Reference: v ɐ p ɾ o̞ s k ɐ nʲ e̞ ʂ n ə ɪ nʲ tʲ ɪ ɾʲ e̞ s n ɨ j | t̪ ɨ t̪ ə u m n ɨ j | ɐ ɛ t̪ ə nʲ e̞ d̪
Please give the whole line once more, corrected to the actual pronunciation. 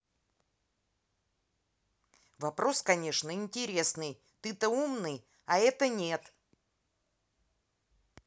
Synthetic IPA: v ɐ p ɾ o̞ s k ɐ nʲ e̞ ʂ n ə ɪ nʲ tʲ ɪ ɾʲ e̞ s n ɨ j | t̪ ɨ t̪ ə u m n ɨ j | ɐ ɛ t̪ ə nʲ e̞ t̪